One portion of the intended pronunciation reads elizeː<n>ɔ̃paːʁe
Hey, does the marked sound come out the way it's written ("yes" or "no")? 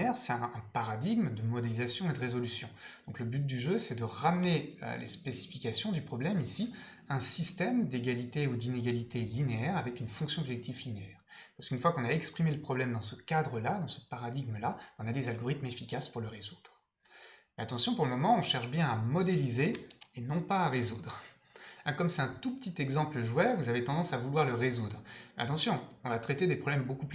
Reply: yes